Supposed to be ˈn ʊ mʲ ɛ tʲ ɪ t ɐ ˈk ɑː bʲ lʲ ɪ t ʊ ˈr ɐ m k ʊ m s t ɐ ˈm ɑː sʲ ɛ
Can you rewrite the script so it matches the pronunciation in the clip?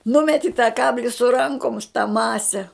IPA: ˈn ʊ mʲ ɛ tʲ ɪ t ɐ ˈk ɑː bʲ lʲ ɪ s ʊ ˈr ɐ ŋ k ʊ m s t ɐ ˈm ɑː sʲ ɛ